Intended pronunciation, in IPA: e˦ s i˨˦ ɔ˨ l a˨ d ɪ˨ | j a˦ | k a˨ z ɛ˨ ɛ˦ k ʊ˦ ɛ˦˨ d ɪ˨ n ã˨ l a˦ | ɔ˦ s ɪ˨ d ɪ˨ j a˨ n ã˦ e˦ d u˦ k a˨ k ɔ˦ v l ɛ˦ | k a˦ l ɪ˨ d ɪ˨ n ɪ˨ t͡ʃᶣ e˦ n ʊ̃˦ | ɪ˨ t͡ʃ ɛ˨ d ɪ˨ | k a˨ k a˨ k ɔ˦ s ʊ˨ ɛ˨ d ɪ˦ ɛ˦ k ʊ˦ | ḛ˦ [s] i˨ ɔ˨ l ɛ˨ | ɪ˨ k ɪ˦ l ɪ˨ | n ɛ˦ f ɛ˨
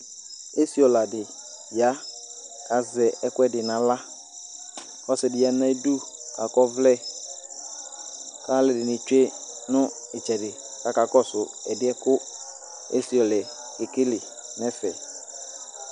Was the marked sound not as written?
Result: no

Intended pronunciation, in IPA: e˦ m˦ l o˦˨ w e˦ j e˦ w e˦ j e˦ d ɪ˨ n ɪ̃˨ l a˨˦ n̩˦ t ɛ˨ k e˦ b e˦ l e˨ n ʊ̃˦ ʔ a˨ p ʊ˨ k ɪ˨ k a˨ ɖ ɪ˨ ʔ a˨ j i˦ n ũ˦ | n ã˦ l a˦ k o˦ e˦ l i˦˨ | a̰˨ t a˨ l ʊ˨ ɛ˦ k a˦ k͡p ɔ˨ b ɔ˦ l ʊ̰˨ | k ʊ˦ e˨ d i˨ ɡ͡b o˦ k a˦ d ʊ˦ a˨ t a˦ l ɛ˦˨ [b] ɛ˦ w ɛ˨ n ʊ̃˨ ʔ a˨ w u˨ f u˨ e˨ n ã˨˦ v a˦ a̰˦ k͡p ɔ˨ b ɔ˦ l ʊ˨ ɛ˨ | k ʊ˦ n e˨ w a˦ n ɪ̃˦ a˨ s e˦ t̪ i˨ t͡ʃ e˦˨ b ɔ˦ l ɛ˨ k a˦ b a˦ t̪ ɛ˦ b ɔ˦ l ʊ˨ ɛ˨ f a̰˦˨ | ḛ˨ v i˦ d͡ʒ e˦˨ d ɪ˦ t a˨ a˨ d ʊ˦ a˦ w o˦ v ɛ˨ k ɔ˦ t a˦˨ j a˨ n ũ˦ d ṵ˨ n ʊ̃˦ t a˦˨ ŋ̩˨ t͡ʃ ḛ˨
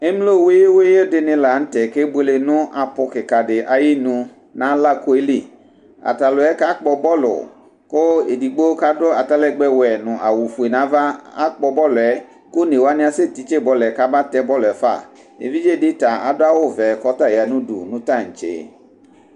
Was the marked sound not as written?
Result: yes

